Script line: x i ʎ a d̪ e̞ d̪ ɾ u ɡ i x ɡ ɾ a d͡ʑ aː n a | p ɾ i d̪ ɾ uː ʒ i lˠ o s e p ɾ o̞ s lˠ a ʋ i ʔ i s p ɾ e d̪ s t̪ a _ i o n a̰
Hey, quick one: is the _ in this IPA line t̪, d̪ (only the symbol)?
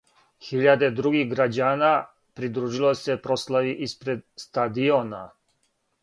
d̪